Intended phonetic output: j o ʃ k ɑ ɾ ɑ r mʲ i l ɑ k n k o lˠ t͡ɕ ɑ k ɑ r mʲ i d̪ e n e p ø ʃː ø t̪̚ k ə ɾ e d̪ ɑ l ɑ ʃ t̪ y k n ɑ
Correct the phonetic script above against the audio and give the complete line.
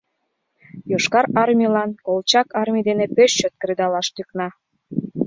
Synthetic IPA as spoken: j o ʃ k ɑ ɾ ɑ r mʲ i l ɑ n k o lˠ t͡ɕ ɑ k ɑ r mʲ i d̪ e n e p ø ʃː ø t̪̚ k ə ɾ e d̪ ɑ l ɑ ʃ t̪ y k n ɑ